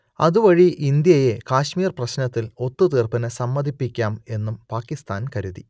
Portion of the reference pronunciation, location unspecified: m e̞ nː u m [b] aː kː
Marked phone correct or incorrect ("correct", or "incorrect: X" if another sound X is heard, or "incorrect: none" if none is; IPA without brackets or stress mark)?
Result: incorrect: p